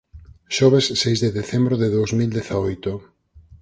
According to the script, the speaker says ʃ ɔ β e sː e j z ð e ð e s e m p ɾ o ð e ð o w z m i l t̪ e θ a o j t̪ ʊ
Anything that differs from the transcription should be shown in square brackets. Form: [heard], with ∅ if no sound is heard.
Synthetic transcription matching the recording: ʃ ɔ β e sː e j z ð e ð e [θ] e m [b] ɾ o ð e ð o w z m i l [d̪] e θ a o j t̪ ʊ